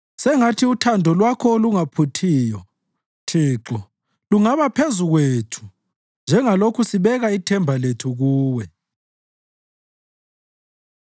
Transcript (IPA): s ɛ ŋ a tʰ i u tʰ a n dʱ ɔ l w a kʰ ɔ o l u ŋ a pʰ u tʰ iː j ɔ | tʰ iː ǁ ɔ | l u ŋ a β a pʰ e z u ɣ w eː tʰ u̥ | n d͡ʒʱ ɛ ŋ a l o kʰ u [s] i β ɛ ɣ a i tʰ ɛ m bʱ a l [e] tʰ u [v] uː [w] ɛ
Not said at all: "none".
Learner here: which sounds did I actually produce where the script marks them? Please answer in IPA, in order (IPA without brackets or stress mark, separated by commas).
s, e, ɣ, w